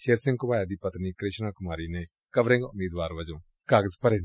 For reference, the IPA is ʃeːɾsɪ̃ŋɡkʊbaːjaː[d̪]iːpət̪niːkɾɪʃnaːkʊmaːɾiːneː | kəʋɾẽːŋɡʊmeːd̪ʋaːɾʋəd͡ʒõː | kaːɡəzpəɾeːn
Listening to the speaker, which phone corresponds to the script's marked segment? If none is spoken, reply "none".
d̪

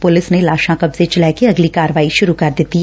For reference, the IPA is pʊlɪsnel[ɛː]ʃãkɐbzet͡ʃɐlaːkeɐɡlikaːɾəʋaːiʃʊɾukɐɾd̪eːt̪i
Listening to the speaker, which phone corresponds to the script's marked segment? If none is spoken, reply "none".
aː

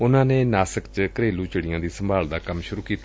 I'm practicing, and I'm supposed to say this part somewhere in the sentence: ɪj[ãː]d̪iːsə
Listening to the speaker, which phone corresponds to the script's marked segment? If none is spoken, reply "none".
ãː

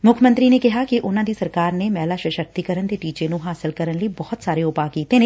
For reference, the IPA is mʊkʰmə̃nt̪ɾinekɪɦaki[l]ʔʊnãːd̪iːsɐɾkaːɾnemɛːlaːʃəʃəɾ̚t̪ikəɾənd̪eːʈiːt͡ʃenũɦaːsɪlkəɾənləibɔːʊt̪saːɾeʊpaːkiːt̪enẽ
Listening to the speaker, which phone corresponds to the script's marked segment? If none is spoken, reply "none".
none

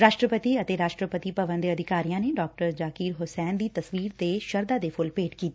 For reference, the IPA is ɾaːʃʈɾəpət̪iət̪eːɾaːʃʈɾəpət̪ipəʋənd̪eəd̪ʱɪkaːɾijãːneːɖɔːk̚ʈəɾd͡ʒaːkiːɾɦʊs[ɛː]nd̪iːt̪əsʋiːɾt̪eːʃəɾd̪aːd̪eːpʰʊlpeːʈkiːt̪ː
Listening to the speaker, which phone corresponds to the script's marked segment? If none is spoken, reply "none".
ɛː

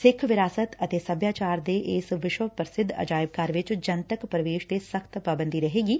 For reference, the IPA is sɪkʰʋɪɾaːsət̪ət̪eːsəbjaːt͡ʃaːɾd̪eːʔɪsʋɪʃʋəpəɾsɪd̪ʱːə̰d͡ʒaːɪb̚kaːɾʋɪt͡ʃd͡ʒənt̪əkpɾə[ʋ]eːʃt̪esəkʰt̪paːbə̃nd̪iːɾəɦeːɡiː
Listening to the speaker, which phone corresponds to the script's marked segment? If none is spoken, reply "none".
ʋ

